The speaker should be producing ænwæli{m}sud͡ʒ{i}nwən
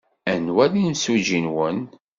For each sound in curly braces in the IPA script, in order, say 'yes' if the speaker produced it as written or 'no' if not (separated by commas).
no, yes